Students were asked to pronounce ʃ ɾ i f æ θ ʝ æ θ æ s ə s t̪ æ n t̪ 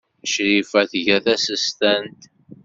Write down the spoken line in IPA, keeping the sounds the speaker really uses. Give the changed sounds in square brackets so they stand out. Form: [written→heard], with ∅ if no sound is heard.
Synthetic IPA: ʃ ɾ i f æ θ ʝ æ θ æ s ə s t̪ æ n t̪